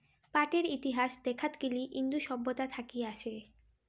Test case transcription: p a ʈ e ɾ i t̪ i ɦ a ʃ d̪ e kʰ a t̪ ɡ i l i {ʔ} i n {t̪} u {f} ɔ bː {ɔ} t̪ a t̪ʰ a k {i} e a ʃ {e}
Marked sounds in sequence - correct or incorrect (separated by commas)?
correct, incorrect, incorrect, incorrect, correct, correct